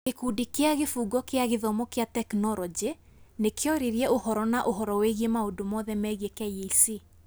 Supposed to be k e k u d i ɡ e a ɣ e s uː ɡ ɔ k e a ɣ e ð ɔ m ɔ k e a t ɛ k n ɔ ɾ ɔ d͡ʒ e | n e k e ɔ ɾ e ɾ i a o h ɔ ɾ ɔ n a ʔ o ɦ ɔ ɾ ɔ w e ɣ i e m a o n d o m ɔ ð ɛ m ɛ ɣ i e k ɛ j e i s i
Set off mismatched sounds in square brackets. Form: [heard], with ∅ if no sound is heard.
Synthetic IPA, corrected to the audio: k e k u d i [k] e a ɣ e [f] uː ɡ ɔ k e a ɣ e ð ɔ m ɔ k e a t ɛ k n ɔ ɾ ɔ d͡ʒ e | n e k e ɔ ɾ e ɾ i [ɛ] o h ɔ ɾ ɔ n a ʔ o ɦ ɔ ɾ ɔ w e ɣ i e m a o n d o m ɔ ð ɛ m ɛ ɣ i e k ɛ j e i s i